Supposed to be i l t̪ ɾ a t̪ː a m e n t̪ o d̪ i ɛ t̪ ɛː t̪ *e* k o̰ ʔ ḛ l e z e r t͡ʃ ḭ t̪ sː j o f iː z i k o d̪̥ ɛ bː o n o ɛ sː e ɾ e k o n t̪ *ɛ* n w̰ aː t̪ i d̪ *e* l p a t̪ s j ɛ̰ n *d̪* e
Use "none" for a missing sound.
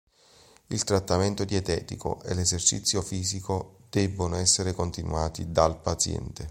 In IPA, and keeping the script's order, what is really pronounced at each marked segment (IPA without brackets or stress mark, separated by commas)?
i, i, a, t̪